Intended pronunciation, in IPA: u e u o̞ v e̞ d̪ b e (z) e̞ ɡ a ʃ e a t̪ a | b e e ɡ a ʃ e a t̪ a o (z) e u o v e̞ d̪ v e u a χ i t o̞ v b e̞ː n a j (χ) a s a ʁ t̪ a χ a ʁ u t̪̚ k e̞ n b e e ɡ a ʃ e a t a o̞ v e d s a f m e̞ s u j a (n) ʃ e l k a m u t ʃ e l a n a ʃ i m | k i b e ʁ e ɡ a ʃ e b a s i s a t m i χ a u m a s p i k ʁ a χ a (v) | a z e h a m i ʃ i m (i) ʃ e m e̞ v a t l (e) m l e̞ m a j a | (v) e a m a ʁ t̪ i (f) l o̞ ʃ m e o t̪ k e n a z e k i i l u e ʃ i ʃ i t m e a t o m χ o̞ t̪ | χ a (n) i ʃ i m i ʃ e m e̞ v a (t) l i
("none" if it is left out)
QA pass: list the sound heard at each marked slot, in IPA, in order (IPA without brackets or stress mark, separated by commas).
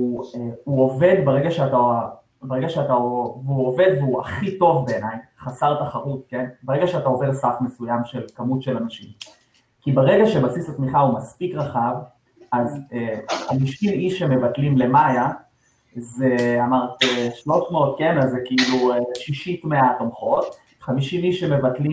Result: ʁ, v, χ, m, v, i, i, z, ʃ, m, t